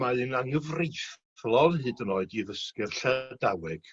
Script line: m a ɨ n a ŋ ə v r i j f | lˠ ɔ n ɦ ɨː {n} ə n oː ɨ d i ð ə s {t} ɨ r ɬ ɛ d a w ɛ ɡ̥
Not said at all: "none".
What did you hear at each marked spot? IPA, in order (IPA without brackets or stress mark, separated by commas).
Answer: d, k